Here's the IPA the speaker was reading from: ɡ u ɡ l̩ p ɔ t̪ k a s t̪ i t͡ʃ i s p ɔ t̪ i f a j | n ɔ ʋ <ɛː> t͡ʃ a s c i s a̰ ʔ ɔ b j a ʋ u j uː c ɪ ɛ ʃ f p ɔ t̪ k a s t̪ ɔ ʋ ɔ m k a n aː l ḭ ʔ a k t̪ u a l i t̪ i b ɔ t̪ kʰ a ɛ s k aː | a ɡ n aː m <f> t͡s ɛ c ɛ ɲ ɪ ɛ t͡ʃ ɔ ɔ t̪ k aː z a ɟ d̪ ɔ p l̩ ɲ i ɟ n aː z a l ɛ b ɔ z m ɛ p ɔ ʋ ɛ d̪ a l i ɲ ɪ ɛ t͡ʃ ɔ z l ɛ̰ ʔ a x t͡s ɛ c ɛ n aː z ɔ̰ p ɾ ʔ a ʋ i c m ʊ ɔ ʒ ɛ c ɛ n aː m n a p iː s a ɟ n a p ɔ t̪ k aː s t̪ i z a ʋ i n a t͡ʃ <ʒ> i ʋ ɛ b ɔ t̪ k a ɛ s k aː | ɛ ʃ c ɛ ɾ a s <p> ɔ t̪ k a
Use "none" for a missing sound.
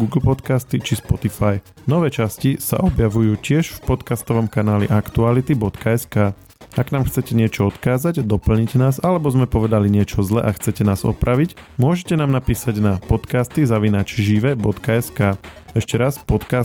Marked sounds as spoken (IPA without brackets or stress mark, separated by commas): ɛː, x, ʒ, p